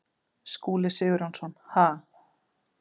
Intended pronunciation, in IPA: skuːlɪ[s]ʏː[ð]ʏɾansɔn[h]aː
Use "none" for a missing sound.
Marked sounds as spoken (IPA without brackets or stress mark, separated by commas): s, ɣ, h